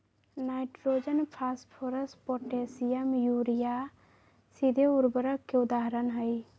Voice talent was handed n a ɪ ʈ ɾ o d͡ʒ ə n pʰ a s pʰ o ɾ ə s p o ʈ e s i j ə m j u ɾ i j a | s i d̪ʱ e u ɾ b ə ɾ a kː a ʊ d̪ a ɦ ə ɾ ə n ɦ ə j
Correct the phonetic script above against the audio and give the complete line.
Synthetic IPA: n a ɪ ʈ ɾ o d͡ʒ ə n pʰ a s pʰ o ɾ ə s p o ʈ e s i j ə m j u ɾ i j a | s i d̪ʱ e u ɾ b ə ɾ ə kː e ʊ d̪ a ɦ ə ɾ ə n ɦ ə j